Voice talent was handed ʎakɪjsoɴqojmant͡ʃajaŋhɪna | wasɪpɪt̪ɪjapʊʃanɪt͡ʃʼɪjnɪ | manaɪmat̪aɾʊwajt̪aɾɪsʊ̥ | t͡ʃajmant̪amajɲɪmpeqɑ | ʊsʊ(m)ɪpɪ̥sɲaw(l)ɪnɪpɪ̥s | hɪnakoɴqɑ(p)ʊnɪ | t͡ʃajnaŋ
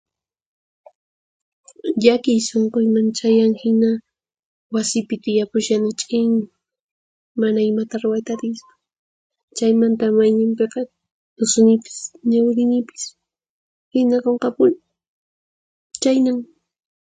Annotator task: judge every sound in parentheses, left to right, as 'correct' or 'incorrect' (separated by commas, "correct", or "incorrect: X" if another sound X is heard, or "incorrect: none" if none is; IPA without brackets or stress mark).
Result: incorrect: n, incorrect: ɾ, correct